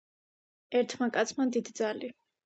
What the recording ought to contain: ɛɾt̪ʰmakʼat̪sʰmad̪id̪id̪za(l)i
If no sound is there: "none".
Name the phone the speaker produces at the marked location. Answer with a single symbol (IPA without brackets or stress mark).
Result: l